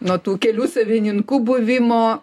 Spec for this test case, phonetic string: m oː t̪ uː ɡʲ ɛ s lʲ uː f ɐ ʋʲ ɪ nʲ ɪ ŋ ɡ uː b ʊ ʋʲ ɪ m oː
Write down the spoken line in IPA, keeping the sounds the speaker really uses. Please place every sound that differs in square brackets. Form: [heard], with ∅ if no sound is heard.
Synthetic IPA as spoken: [n] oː t̪ uː [kʲ] ɛ [∅] lʲ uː [s] ɐ ʋʲ ɪ nʲ ɪ ŋ [k] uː b ʊ ʋʲ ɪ m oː